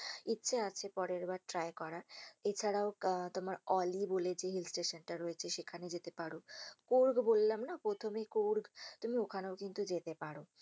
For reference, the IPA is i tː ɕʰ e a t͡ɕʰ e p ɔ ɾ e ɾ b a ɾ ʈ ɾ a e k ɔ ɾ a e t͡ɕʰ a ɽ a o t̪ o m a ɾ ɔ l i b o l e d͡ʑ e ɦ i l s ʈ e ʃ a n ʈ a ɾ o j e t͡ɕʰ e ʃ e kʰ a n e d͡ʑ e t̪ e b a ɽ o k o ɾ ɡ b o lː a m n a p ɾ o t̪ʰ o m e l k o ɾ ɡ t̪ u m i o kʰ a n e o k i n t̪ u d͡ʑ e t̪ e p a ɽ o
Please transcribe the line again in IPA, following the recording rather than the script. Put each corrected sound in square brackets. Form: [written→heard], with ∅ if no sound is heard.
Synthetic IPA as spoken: i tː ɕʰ e a t͡ɕʰ e p ɔ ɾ e ɾ b a ɾ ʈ ɾ a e k ɔ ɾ a e t͡ɕʰ a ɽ a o t̪ o m a ɾ ɔ l i b o l e d͡ʑ e ɦ i l s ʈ e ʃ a n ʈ a ɾ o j e t͡ɕʰ e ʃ e kʰ a n e d͡ʑ e t̪ e [b→p] a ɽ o k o ɾ ɡ b o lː a m n a p ɾ o t̪ʰ o m e [l→∅] k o ɾ ɡ t̪ u m i o kʰ a n e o k i n t̪ u d͡ʑ e t̪ e p a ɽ o